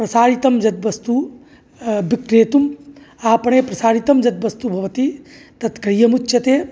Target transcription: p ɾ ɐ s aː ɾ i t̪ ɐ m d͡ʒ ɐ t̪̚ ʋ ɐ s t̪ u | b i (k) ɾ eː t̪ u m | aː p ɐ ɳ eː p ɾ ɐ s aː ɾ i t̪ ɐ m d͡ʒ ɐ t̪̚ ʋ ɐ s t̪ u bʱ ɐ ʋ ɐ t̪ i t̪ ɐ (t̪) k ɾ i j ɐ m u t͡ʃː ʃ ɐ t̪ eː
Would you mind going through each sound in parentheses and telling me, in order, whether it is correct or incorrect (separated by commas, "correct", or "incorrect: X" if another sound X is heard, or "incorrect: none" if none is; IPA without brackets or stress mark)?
correct, correct